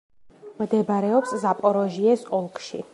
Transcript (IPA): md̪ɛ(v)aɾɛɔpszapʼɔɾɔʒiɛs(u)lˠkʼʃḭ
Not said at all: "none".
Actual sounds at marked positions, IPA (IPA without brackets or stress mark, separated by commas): b, ɔ